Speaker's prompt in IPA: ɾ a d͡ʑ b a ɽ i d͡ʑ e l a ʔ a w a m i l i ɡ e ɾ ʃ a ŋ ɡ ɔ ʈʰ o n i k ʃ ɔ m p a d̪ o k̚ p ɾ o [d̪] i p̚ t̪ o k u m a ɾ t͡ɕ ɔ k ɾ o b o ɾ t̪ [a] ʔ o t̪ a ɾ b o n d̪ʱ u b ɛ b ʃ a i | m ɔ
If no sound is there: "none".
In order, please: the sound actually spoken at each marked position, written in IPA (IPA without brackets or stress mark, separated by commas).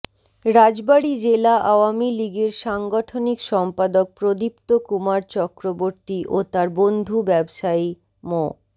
d̪, i